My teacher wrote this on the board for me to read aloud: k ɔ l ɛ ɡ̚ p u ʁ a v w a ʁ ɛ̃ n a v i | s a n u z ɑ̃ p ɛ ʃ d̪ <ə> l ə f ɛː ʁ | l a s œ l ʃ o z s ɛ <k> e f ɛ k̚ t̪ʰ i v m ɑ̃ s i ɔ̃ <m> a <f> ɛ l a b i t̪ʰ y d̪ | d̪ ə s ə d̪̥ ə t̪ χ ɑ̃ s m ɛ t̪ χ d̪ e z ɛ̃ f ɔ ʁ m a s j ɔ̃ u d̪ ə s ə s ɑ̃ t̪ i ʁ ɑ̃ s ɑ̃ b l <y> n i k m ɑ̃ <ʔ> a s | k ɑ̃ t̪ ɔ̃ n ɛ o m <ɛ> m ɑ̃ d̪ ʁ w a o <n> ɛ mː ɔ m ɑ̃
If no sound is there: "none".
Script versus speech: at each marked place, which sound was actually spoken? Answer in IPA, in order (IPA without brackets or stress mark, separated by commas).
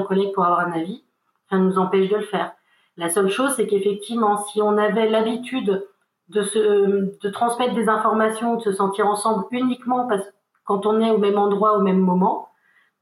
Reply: ə, k, n, v, y, p, ɛ, m